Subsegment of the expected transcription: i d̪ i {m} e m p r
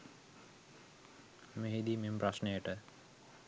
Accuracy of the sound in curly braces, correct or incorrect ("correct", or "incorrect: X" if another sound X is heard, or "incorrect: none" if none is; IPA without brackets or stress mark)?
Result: correct